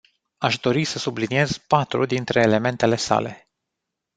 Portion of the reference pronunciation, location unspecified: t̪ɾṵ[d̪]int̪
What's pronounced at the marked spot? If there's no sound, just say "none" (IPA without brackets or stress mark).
d̪